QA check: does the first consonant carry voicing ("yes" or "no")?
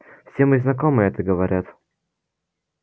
no